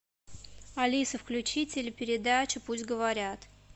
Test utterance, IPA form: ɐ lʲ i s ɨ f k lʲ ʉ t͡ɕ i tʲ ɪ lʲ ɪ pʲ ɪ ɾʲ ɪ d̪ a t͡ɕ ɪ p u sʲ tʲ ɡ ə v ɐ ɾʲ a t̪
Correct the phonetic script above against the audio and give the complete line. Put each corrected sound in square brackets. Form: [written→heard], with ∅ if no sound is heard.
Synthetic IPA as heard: ɐ lʲ i s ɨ f k lʲ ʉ t͡ɕ i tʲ ɪ lʲ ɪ pʲ ɪ ɾʲ ɪ d̪ a t͡ɕ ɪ p u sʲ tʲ ɡ ə v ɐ ɾʲ a t̪

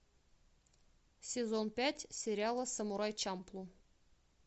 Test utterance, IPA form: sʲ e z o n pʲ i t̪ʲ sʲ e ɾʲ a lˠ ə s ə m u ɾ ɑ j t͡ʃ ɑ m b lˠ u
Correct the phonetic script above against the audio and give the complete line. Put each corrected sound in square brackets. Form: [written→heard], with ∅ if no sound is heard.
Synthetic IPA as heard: sʲ e z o n pʲ [i→æ] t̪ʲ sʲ e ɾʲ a lˠ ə s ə m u ɾ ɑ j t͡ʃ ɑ m [b→p] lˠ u

